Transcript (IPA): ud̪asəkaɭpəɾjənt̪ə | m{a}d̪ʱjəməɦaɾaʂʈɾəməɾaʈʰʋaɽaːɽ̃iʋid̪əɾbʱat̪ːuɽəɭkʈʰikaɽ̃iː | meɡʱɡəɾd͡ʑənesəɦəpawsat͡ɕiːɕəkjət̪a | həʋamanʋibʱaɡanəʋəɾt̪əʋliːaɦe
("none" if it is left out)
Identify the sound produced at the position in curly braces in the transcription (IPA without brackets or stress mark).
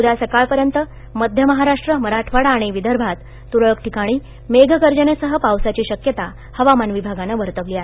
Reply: ə